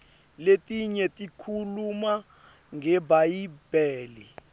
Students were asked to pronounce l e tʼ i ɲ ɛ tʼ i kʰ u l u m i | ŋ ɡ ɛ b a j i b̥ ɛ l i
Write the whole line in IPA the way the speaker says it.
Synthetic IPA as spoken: l e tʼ i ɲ ɛ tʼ i kʰ u l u m a | ŋ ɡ ɛ b a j i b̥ ɛː l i